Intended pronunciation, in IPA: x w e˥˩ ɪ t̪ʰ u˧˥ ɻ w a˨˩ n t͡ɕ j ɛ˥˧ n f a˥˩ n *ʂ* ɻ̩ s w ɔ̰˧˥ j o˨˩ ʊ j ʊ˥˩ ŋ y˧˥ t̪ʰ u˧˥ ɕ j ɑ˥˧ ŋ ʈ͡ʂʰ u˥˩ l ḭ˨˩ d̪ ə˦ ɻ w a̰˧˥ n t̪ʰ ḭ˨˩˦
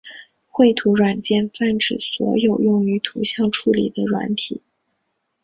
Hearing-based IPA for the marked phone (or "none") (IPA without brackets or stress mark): ʈ͡ʂ